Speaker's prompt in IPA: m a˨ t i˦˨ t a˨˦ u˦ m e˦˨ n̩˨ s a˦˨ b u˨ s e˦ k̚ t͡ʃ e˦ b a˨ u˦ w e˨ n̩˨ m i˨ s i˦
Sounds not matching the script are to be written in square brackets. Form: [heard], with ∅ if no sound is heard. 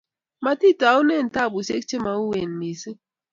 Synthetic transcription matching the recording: m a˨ t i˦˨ t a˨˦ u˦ [n] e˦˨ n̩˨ [t] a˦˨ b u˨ s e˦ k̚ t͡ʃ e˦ [m] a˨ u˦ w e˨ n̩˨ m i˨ s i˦